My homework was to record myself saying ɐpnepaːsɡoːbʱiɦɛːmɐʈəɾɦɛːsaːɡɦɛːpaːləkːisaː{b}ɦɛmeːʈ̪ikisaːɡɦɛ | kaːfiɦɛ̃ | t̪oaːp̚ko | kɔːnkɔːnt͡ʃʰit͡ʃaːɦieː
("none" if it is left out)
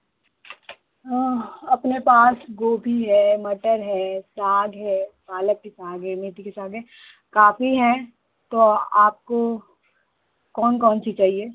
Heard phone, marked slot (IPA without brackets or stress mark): ɡ